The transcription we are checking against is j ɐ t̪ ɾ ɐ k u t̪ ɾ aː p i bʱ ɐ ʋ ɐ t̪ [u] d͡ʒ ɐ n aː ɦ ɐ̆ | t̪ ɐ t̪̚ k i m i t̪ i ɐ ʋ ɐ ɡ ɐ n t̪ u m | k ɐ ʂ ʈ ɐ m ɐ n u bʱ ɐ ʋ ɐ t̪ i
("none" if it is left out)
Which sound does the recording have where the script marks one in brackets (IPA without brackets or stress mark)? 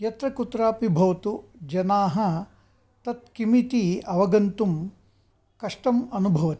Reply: u